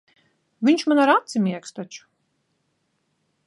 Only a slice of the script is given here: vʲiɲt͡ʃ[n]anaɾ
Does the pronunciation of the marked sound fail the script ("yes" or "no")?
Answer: yes